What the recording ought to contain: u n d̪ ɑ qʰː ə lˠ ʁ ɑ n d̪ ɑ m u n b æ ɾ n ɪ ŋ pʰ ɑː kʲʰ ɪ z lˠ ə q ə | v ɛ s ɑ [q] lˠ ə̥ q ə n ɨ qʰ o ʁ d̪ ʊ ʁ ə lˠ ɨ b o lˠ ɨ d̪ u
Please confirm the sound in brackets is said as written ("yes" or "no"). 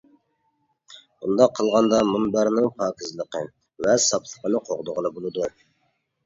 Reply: no